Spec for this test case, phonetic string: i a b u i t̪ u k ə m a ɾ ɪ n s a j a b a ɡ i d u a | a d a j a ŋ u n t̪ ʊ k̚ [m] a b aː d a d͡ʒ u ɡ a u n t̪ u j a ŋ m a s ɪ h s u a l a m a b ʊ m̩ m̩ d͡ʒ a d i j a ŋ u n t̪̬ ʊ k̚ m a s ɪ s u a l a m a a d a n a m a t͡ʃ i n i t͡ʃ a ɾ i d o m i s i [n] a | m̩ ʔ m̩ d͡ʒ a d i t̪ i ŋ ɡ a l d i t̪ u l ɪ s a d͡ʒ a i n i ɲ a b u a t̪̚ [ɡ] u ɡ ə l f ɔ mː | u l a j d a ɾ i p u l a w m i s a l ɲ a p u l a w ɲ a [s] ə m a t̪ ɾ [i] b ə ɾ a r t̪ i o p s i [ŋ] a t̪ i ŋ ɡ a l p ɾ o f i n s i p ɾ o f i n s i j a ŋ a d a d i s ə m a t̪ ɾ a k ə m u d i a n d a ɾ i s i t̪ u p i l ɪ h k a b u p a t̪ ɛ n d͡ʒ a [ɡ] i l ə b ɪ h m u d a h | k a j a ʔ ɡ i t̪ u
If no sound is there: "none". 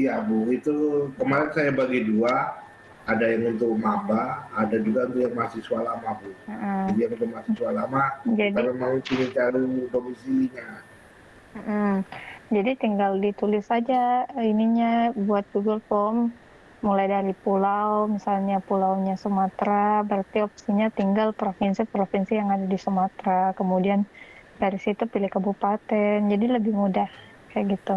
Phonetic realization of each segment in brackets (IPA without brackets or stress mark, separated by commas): m, ɲ, ɡ, s, a, ɲ, d